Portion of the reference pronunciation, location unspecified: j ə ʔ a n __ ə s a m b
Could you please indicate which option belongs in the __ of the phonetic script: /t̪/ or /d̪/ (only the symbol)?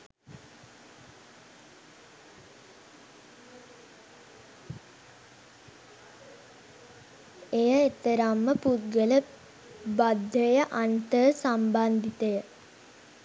t̪